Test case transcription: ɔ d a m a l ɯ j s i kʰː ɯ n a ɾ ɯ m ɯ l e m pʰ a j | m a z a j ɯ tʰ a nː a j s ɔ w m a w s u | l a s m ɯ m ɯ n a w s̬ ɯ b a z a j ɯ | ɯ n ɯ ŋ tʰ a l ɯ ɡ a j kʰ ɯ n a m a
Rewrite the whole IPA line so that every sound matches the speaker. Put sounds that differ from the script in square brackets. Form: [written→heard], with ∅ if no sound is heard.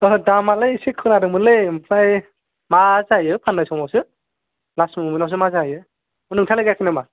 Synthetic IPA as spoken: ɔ d a m a l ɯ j s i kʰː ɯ n a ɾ ɯ m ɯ l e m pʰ a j | m a z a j ɯ [tʰ→pʰ] a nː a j s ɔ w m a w s [u→ɯ] | l a s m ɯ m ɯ n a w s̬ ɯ [b→m] a z a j ɯ | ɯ n ɯ ŋ tʰ a l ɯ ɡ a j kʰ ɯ n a m a

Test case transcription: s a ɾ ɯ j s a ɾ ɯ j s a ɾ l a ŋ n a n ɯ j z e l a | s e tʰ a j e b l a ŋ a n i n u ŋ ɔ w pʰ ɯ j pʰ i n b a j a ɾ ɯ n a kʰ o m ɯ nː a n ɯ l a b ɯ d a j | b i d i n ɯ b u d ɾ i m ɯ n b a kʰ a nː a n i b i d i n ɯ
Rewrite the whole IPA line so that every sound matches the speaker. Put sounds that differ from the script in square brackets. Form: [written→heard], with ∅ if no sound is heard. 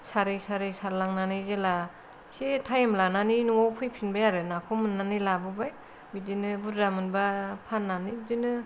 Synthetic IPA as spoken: s a ɾ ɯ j s a ɾ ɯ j s a ɾ l a ŋ n a n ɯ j z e l a | s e tʰ a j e [b→m] l a [ŋ→n] a n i n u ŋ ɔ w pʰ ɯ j pʰ i n b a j a ɾ ɯ n a kʰ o m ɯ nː a n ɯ l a b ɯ [d→b] a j | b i d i n ɯ b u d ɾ [i→a] m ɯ n b a [kʰ→pʰ] a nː a n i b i d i n ɯ

